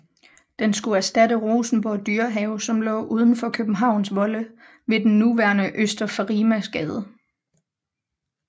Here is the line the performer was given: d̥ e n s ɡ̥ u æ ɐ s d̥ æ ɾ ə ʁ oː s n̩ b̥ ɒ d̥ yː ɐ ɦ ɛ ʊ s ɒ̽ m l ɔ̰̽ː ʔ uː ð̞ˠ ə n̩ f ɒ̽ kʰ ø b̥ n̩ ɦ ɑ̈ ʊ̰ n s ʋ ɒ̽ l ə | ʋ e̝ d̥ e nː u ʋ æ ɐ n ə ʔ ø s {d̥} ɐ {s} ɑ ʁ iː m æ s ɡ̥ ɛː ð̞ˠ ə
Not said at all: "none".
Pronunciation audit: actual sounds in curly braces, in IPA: d̥, f

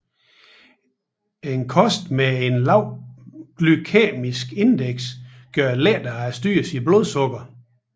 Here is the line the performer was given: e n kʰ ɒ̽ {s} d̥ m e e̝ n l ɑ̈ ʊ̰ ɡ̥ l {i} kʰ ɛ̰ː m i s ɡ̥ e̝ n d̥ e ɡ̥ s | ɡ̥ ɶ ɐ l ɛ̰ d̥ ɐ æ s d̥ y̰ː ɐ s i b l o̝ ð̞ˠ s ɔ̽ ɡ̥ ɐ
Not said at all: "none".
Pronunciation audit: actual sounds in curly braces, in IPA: s, y

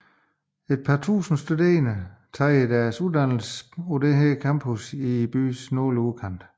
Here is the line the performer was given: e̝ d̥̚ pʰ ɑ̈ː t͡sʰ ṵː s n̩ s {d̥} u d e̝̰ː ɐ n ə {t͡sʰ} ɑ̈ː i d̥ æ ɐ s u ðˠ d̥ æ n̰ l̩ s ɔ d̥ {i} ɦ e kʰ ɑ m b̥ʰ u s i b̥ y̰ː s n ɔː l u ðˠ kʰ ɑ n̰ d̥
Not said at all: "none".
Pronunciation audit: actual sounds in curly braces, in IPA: d̥, t͡sʰ, e

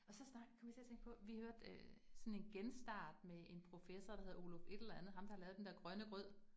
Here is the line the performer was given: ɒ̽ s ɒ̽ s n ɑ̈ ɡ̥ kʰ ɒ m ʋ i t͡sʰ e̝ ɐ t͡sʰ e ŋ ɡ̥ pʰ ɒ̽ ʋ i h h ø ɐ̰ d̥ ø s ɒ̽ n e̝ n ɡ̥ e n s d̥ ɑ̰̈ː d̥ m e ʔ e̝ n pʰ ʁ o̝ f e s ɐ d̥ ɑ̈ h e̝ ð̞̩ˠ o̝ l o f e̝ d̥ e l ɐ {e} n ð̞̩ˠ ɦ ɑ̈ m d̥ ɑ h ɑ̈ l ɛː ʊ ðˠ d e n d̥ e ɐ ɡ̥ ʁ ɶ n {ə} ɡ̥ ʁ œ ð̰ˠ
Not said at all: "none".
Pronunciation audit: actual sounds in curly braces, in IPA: æ, ə

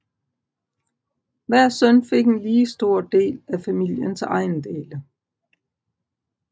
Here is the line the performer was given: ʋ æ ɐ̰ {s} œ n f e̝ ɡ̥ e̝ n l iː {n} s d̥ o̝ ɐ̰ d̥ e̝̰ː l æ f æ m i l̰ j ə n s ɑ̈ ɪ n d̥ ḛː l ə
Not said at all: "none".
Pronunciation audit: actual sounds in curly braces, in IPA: s, none

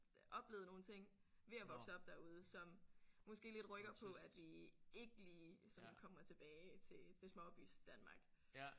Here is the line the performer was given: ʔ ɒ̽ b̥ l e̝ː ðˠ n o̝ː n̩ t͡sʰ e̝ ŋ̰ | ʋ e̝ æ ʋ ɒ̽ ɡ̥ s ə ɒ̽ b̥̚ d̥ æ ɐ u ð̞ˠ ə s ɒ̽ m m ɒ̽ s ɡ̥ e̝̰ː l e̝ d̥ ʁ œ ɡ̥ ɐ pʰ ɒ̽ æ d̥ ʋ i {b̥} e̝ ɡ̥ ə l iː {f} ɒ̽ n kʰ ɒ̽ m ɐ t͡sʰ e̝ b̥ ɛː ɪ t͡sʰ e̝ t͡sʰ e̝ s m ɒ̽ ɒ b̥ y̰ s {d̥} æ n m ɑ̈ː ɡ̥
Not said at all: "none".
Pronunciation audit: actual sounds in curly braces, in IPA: none, s, d̥

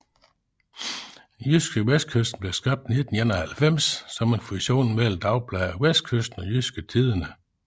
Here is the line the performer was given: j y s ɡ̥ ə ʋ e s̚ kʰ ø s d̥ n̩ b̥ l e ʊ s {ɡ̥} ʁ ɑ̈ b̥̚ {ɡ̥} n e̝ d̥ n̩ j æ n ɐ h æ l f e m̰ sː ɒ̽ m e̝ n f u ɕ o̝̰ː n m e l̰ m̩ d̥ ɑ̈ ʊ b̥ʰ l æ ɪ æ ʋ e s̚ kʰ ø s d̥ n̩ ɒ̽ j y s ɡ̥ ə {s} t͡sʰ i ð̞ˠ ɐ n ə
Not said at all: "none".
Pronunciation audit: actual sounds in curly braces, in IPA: ɡ̥, d̥, none

